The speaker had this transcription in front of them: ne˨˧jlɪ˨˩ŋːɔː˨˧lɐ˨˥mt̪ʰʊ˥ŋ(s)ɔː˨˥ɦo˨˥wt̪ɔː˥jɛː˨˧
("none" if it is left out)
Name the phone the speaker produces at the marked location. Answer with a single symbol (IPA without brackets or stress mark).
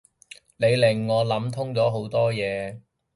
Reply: t͡s